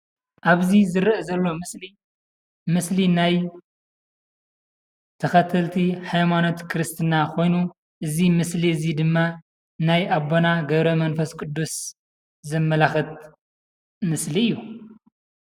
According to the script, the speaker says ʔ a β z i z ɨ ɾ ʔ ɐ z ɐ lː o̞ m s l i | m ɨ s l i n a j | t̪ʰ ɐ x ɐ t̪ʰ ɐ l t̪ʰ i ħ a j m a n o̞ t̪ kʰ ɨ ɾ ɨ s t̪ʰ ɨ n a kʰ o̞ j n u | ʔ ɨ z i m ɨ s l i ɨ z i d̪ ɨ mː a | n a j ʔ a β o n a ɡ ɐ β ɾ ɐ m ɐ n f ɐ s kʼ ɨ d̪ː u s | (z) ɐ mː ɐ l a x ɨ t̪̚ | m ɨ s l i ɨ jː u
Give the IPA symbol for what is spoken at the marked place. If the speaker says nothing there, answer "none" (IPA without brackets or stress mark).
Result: z